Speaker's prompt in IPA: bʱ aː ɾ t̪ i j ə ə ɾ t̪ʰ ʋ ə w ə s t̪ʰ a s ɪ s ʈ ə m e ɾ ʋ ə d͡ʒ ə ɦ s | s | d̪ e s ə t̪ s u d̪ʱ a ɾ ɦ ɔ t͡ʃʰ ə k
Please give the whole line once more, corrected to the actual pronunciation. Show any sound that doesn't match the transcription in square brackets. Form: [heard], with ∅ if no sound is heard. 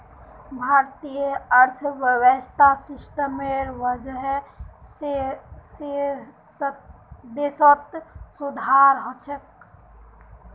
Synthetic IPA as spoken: bʱ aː ɾ t̪ i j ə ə ɾ t̪ʰ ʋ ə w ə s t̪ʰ a s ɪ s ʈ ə m e ɾ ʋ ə d͡ʒ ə ɦ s | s | d̪ e s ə t̪ s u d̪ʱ a ɾ ɦ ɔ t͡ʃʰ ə k